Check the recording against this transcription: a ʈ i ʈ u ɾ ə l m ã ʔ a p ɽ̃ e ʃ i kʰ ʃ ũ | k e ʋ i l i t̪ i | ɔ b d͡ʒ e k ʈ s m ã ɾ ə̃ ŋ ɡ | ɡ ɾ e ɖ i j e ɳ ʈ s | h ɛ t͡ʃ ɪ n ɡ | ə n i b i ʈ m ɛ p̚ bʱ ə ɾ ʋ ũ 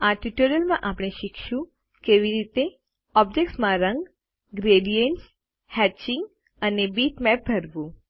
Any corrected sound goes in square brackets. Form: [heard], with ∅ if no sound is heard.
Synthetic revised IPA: a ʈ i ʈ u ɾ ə l m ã ʔ a p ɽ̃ e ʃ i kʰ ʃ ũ | k e ʋ i [ɾ] i t̪ [e] | ɔ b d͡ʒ e k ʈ s m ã ɾ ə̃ ŋ ɡ | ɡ ɾ e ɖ i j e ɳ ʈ s | h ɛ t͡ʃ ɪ [ŋ] ɡ | ə n [e] b i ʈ m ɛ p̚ bʱ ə ɾ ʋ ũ